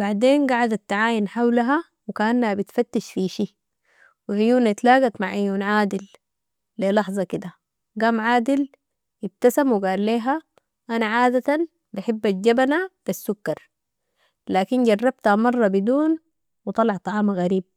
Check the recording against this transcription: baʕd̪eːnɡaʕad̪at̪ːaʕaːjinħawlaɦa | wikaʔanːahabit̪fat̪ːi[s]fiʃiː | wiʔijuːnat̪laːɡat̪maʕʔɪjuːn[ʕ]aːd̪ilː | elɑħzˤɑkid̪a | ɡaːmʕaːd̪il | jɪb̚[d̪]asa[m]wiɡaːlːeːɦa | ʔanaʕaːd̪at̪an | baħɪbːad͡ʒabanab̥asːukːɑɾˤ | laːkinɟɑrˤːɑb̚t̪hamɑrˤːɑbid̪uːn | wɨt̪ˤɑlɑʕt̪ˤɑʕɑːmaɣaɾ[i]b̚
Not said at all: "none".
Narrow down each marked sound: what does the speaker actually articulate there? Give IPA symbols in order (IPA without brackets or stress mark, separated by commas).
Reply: ʃ, ʕ, t̪, m, iː